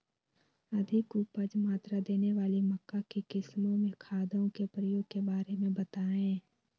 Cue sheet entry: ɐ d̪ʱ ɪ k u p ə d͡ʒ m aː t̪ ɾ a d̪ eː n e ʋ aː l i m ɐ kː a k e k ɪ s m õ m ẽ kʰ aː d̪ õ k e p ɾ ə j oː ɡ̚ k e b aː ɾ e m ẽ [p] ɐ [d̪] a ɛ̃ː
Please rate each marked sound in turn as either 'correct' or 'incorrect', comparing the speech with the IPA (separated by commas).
incorrect, incorrect